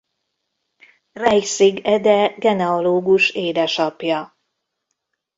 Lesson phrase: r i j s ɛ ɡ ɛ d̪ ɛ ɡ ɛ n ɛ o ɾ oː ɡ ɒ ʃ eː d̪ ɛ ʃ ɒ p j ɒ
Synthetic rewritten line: r ɛ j s i ɡ ɛ d̪ ɛ ɡ ɛ n ɛ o l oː ɡ u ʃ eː d̪ ɛ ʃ ɒ p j ɒ